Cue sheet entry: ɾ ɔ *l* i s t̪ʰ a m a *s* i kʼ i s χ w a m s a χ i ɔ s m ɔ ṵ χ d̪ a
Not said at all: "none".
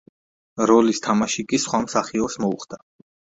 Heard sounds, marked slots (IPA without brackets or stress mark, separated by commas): l, ʃ